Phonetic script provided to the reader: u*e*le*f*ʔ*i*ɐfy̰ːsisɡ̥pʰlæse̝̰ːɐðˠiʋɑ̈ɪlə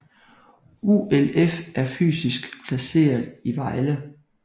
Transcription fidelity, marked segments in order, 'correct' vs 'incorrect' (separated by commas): correct, correct, incorrect